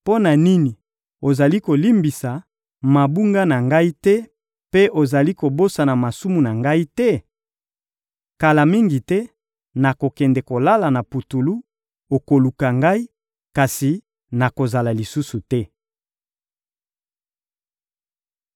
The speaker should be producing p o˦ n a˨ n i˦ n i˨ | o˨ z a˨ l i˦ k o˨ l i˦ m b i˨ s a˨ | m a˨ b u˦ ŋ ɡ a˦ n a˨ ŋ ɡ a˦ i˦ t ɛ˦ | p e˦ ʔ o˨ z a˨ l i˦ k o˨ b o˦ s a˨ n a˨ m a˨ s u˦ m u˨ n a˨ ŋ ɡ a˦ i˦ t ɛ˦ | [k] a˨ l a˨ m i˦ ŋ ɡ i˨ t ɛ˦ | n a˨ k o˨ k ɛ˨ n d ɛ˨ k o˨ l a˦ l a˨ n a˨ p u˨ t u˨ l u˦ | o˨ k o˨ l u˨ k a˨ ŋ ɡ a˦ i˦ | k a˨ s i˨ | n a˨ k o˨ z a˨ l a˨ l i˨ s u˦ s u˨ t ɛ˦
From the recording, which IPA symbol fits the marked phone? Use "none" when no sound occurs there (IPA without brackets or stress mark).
k